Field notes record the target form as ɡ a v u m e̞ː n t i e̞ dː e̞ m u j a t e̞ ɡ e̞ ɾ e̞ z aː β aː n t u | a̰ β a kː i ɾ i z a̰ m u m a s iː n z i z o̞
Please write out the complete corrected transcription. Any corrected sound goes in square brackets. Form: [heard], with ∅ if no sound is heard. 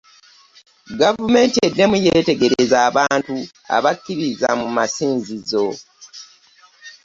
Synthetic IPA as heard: ɡ a v u m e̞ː n t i e̞ dː e̞ m u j [e] t e̞ ɡ e̞ ɾ e̞ z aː β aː n t u | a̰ β a kː i ɾ i z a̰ m u m a s iː n z i z o̞